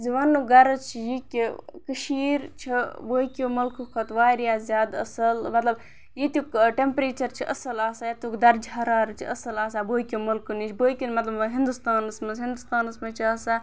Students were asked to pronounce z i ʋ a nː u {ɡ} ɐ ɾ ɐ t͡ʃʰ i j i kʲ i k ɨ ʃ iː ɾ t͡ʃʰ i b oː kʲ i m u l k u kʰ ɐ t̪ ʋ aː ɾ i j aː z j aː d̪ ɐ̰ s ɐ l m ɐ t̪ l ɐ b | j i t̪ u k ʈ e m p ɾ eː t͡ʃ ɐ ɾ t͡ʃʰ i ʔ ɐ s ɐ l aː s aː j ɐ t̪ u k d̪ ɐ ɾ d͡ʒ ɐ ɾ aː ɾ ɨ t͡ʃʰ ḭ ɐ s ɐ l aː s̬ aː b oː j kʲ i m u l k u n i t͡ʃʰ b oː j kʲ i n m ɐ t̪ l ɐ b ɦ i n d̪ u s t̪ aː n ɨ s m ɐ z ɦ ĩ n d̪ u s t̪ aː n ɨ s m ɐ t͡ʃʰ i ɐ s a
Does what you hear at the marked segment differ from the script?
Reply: no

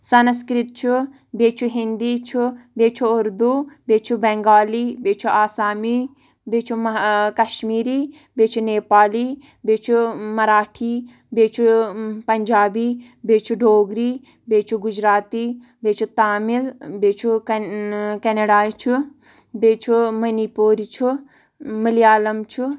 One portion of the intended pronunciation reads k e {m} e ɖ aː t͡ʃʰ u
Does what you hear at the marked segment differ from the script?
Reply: yes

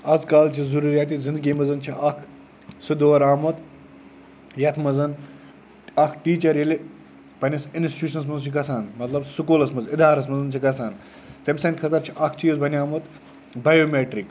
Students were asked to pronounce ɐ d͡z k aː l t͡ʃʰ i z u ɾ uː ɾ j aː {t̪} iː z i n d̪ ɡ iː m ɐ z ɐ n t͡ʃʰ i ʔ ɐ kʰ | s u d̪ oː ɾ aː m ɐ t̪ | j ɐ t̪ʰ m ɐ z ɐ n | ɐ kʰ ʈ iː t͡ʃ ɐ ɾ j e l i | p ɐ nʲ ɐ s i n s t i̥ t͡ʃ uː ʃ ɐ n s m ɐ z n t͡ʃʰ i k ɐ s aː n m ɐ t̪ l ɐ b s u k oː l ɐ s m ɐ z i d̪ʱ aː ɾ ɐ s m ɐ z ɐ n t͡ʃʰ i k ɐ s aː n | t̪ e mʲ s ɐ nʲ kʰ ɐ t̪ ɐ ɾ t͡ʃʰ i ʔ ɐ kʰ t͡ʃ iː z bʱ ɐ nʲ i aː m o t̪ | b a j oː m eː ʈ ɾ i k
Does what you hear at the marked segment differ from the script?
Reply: no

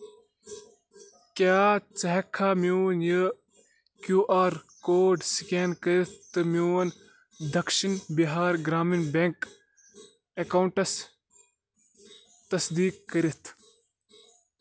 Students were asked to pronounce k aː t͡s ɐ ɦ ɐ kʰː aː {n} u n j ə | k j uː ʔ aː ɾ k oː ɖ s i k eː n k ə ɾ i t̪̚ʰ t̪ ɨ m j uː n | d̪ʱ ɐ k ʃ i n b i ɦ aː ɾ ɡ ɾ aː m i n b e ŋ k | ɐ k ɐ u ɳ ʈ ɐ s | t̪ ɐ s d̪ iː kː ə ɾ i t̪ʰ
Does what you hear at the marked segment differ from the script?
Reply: yes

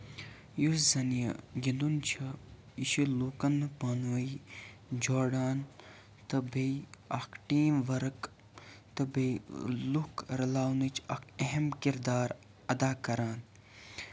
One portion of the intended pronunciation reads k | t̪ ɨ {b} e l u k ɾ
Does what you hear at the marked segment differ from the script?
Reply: no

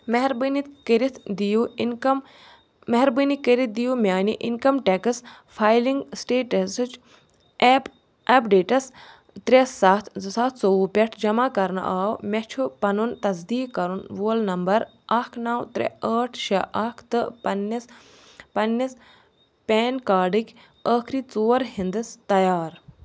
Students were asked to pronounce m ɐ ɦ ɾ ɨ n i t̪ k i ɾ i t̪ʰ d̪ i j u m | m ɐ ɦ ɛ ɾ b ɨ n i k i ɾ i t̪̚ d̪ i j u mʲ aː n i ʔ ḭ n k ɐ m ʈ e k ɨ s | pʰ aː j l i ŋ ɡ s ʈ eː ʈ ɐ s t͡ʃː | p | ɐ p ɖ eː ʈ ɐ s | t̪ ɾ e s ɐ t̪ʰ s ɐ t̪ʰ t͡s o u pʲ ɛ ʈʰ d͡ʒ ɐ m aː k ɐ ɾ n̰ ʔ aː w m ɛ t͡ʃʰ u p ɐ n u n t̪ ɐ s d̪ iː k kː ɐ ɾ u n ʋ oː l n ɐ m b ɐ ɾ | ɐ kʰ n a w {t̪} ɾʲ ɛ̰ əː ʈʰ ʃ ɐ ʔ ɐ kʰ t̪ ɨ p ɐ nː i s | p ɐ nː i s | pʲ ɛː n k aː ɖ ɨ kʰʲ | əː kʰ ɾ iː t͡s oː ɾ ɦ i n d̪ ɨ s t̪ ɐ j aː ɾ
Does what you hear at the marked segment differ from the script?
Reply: no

